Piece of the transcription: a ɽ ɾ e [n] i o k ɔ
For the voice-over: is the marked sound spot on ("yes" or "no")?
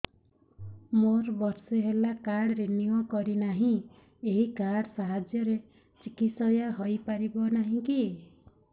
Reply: yes